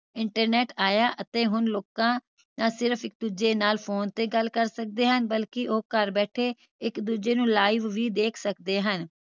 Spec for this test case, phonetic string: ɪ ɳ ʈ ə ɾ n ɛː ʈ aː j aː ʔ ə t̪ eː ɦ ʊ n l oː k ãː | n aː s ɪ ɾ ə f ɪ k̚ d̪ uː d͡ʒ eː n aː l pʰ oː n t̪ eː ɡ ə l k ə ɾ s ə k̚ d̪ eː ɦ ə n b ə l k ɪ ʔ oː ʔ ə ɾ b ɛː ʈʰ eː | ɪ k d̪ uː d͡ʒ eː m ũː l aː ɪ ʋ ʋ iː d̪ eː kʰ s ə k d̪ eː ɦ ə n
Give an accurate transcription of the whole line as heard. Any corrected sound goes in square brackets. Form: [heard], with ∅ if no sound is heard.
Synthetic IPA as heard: ɪ ɳ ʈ ə ɾ n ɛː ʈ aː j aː ʔ ə t̪ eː ɦ ʊ n l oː k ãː | n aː s ɪ ɾ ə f ɪ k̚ d̪ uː d͡ʒ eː n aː l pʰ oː n t̪ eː ɡ ə l k ə ɾ s ə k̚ d̪ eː ɦ ə n b ə l k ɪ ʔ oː [k] ə ɾ b ɛː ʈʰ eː | ɪ k d̪ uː d͡ʒ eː [n] ũː l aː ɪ ʋ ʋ iː d̪ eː kʰ s ə k d̪ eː ɦ ə n

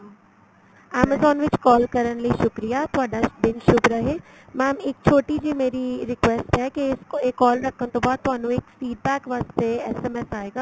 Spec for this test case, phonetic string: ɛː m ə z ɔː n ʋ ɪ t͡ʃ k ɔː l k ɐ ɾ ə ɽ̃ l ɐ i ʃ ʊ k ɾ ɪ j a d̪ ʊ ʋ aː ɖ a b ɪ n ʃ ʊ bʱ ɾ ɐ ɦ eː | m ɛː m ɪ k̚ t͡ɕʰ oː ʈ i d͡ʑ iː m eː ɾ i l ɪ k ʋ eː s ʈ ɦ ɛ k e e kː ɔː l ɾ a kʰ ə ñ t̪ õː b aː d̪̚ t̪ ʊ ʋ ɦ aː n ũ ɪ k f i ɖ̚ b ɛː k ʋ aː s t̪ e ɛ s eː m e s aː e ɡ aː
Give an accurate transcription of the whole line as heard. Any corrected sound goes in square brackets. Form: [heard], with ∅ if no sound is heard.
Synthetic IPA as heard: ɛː m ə z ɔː n ʋ ɪ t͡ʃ k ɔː l k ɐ ɾ ə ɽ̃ l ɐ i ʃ ʊ k ɾ [i] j a [t̪] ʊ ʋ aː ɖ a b ɪ n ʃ ʊ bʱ ɾ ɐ ɦ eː | m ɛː m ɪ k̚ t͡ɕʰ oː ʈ i d͡ʑ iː m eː ɾ i [ɾ] ɪ k ʋ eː s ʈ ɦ ɛ k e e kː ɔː l ɾ [ɐ] kʰ ə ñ t̪ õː b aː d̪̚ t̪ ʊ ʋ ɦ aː n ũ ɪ k f [iː] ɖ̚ b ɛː k ʋ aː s t̪ e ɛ s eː m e s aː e ɡ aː

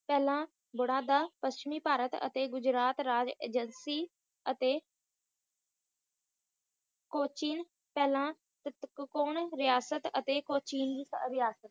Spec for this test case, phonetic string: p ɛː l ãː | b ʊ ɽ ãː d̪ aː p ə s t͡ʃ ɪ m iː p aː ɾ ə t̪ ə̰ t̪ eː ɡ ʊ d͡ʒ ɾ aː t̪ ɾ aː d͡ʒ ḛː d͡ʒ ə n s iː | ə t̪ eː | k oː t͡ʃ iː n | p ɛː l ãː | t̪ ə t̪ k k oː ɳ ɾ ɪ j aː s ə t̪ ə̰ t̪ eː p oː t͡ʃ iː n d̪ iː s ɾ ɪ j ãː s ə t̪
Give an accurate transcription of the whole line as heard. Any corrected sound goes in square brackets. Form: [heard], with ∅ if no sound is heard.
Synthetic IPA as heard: p ɛː l ãː | b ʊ ɽ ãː d̪ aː p ə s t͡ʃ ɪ m iː p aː ɾ ə t̪ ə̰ t̪ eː ɡ ʊ d͡ʒ ɾ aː t̪ ɾ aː d͡ʒ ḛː d͡ʒ ə n s iː | ə t̪ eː | k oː t͡ʃ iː n | p ɛː l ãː | t̪ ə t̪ k k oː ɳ ɾ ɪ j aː s ə t̪ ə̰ t̪ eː [k] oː t͡ʃ iː n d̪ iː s ɾ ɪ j [aː] s ə t̪

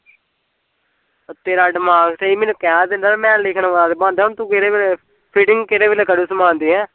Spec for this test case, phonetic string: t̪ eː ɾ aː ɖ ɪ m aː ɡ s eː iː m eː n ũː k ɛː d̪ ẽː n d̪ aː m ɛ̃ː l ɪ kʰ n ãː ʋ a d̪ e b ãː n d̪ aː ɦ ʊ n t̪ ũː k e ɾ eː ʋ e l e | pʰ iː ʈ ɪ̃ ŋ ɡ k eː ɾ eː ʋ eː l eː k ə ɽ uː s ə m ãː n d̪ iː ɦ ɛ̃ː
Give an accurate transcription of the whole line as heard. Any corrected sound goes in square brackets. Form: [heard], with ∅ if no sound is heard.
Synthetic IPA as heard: t̪ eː ɾ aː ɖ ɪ m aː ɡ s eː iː m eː n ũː k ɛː d̪ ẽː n d̪ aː m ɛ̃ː l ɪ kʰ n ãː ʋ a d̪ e b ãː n d̪ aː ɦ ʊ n t̪ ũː k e ɾ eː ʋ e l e | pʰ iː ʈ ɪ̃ ŋ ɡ k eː ɾ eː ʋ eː l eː k ə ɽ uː s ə m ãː n d̪ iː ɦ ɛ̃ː

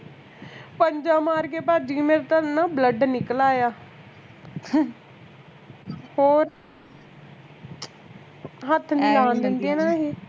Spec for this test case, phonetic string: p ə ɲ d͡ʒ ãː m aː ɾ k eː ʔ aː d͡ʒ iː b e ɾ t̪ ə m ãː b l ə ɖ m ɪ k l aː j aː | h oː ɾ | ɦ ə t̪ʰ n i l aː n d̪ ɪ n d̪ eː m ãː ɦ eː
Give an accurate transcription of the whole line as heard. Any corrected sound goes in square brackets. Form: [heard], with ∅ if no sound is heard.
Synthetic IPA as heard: p ə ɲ d͡ʒ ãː m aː ɾ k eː [p] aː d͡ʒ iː [m] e ɾ t̪ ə [n] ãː b l ə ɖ [n] ɪ k l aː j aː | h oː ɾ | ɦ ə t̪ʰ n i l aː n d̪ ɪ n d̪ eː [n] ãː ɦ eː

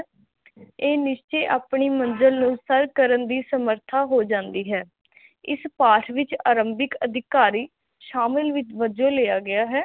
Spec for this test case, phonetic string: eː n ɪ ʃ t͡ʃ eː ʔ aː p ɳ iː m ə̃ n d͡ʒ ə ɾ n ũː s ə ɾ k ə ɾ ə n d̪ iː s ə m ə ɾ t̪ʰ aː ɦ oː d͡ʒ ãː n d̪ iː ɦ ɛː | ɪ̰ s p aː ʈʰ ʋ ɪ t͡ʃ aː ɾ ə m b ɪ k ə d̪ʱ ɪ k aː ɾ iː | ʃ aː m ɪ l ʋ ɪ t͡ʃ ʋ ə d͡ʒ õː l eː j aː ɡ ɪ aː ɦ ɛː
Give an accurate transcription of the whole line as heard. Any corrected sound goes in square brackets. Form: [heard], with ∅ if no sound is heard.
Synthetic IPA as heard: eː n ɪ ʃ t͡ʃ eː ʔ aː p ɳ iː m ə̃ n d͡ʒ ə [l] n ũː s ə ɾ k ə ɾ ə n d̪ iː s ə m ə ɾ t̪ʰ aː ɦ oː d͡ʒ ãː n d̪ iː ɦ ɛː | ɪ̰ s p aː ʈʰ ʋ ɪ t͡ʃ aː ɾ ə m b ɪ k ə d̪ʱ ɪ k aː ɾ iː | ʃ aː m ɪ l ʋ ɪ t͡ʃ ʋ ə d͡ʒ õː l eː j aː ɡ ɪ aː ɦ ɛː

